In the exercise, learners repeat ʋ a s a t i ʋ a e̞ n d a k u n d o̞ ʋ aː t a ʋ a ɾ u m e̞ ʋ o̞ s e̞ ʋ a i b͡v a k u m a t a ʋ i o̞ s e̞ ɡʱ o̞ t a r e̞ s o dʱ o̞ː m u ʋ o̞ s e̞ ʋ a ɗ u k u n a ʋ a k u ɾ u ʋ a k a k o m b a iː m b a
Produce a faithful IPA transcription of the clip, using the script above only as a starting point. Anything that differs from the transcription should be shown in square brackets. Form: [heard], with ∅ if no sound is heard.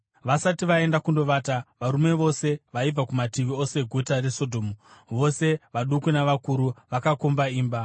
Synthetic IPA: ʋ a s a t i ʋ a e̞ n d a k u n d o̞ ʋ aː t a ʋ a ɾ u m e̞ ʋ o̞ s e̞ ʋ a i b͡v a k u m a t [i] ʋ i o̞ s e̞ ɡʱ o̞ t a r e̞ s o dʱ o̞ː m u ʋ o̞ s e̞ ʋ a ɗ u k u n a ʋ a k u ɾ u ʋ a k a k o m b a iː m b a